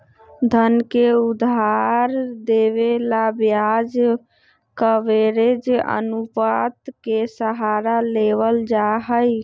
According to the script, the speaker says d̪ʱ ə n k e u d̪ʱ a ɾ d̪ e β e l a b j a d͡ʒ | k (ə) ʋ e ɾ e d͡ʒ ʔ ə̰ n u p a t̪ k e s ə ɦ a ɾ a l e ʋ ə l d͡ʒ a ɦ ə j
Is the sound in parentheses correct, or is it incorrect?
correct